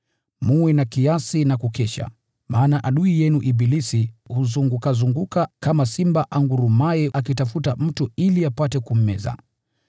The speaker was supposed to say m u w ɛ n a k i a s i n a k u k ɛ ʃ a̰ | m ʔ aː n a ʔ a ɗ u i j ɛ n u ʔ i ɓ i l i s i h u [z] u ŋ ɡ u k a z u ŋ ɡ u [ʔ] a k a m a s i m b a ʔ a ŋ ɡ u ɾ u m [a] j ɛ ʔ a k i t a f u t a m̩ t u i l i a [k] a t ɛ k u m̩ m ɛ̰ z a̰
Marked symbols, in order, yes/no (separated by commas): yes, no, yes, no